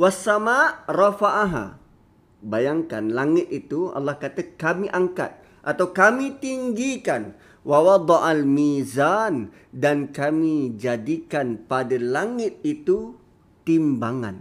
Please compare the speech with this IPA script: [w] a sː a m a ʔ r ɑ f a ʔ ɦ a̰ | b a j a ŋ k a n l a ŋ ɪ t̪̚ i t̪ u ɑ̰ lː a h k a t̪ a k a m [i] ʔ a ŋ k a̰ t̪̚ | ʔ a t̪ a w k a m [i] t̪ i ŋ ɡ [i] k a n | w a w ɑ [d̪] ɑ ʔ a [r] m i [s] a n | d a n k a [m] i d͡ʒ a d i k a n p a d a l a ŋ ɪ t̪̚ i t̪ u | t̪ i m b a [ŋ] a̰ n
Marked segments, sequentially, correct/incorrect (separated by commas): correct, correct, correct, correct, correct, incorrect, incorrect, correct, correct